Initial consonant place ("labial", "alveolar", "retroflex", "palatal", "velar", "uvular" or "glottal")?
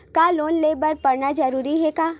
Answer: velar